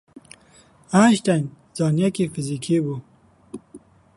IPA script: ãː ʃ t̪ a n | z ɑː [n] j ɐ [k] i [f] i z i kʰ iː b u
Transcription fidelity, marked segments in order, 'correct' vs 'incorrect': correct, correct, correct

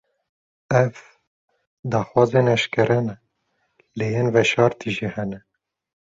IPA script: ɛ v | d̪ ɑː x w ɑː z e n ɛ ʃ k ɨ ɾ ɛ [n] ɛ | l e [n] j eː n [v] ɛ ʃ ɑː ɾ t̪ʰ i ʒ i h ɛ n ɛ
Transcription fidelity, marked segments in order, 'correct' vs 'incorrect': correct, incorrect: none, correct

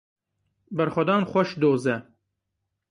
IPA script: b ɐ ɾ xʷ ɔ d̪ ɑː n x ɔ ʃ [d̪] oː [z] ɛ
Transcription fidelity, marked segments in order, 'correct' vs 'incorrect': correct, correct

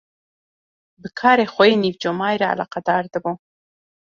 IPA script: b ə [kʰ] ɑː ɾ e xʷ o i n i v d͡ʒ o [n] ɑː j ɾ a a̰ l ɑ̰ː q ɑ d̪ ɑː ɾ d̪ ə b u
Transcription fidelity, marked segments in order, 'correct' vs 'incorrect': correct, incorrect: m

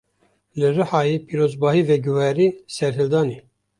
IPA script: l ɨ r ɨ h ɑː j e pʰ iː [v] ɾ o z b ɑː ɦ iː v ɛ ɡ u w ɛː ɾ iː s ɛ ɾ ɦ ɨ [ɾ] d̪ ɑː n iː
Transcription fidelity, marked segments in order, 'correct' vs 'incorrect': incorrect: none, incorrect: l

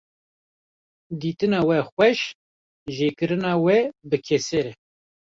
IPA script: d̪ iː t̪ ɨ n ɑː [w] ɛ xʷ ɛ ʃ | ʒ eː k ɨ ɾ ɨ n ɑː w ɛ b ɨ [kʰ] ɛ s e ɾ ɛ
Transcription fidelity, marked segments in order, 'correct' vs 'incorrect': correct, correct

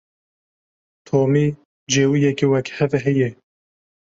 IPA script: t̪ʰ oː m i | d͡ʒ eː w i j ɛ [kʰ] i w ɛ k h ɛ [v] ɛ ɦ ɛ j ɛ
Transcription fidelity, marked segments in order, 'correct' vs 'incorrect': incorrect: k, correct

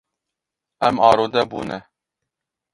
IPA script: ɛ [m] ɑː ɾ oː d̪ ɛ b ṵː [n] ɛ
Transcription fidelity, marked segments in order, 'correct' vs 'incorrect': correct, correct

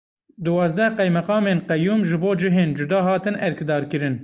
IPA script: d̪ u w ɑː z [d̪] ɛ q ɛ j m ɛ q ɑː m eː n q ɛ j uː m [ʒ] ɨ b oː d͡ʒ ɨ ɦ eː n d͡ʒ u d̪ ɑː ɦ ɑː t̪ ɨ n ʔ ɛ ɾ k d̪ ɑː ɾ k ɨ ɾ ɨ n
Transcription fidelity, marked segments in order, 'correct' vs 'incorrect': correct, correct

